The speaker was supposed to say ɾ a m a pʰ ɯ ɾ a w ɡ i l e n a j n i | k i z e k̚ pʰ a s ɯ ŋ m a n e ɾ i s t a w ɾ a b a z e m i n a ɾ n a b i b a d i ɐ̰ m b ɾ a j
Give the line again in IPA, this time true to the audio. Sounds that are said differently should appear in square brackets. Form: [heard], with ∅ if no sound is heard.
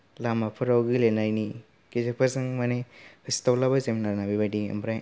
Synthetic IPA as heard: [l] a m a pʰ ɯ ɾ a w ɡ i l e n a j n i | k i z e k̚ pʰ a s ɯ ŋ m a n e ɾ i s t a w [l] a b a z e m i n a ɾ n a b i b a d i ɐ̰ m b ɾ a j